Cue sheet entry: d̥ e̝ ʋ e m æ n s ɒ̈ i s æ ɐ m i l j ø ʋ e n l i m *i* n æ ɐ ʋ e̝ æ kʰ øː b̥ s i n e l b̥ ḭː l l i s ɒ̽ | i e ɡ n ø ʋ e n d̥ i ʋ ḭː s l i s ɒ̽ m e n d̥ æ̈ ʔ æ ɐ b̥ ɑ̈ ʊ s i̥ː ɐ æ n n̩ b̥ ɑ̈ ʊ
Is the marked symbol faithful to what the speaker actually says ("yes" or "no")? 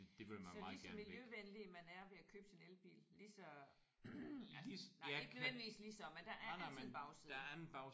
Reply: no